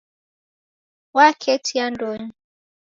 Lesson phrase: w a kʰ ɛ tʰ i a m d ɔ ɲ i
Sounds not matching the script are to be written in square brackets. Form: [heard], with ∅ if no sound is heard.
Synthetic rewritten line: w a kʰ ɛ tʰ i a [n] d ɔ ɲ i